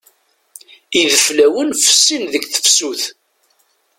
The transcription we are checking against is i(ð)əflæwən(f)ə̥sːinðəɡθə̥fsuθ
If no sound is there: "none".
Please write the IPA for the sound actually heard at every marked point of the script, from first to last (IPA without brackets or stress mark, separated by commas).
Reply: ð, f